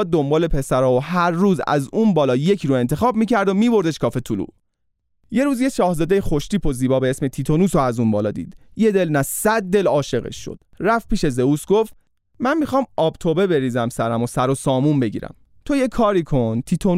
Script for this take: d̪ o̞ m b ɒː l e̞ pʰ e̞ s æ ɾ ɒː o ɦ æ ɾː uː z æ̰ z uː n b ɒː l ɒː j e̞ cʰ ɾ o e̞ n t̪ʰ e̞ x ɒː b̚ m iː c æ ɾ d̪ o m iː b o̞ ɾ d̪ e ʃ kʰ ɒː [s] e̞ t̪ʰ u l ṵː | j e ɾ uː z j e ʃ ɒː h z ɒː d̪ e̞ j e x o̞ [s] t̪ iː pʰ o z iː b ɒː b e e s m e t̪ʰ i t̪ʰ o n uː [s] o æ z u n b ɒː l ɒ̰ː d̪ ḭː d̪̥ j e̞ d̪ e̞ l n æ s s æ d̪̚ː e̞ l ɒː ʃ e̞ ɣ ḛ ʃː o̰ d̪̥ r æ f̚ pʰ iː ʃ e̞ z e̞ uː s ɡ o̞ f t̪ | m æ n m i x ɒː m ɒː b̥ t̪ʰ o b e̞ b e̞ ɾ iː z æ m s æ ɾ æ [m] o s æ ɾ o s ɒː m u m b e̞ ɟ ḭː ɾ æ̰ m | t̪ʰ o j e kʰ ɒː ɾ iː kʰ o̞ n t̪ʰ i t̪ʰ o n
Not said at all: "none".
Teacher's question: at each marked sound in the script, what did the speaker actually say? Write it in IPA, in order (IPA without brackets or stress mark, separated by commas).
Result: f, ʃ, s, m